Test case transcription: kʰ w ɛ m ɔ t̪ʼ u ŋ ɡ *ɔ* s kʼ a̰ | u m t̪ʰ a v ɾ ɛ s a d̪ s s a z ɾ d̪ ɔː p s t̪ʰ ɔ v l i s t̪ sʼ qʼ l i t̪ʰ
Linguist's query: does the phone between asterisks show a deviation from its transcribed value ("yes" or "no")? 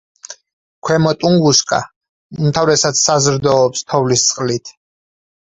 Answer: yes